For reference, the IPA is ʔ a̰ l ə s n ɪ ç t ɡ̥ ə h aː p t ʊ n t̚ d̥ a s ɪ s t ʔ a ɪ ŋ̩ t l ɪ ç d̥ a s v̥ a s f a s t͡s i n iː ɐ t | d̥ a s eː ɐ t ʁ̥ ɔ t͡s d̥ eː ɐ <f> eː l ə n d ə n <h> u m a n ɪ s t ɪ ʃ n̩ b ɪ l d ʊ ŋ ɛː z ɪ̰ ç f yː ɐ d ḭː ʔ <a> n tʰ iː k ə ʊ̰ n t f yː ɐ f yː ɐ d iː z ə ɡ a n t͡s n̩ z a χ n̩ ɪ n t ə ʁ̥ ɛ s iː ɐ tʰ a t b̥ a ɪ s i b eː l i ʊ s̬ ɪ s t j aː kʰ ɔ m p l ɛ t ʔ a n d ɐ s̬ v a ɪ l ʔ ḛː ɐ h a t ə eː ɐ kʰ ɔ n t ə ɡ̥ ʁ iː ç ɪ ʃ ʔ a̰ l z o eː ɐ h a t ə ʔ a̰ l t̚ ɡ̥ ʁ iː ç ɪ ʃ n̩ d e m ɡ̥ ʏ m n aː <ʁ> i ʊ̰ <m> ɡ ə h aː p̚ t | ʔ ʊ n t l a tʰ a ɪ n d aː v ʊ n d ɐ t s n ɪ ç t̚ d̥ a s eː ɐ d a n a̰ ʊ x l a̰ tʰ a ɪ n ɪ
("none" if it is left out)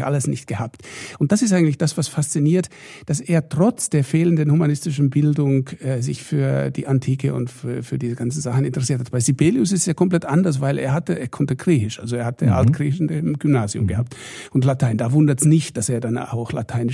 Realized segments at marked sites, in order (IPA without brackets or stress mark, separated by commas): f, h, a, z, m